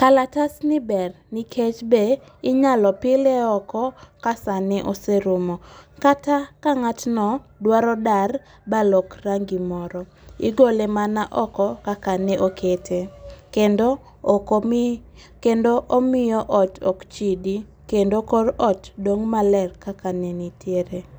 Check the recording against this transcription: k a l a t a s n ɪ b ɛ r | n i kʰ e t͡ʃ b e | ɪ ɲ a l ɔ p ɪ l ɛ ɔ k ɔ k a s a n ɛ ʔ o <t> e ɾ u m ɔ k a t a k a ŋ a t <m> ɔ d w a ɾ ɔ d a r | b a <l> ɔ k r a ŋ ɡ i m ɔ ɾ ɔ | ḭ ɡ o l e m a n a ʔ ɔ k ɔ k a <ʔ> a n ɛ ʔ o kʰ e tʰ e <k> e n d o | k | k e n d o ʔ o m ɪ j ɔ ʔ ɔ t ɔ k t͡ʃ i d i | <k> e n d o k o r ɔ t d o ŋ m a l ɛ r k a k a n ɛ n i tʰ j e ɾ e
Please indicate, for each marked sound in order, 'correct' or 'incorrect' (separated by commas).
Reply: incorrect, incorrect, correct, incorrect, correct, correct